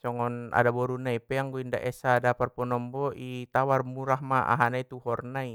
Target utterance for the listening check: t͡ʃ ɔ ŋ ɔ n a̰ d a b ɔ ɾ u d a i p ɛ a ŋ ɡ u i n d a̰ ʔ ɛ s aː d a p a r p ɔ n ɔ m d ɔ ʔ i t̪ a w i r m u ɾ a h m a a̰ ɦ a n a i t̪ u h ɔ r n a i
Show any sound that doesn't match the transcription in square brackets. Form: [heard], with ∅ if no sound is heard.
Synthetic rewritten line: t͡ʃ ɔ ŋ ɔ n a̰ d a b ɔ ɾ u [n] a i p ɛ a ŋ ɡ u i n d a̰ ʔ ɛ s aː d a p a r p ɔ n ɔ m [b] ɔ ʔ i t̪ a w [a] r m u ɾ a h m a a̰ ɦ a n a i t̪ u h ɔ r n a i